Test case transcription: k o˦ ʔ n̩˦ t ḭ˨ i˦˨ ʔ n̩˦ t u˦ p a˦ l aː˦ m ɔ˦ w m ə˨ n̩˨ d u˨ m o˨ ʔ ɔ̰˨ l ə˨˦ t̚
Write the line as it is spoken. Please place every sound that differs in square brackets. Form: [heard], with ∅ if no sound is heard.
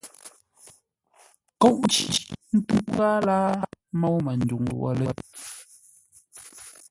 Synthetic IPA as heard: k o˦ ʔ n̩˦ [t͡ʃ] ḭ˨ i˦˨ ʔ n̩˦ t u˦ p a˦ l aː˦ m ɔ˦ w m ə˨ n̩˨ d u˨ [ŋ] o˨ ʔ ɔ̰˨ l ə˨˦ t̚